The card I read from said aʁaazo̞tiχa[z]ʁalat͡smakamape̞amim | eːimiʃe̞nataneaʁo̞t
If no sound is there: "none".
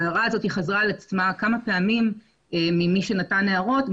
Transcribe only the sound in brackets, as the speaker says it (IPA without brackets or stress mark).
z